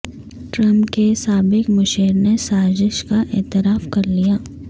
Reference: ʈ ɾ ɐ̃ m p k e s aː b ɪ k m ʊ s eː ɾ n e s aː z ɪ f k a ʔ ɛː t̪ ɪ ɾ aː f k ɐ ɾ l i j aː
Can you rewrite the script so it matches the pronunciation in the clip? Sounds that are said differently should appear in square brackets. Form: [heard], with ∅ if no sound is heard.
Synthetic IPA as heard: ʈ ɾ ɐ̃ m p k e s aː b ɪ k m ʊ [ʃ] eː ɾ n e s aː z ɪ [ʃ] k a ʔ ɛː t̪ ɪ ɾ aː f k ɐ ɾ l i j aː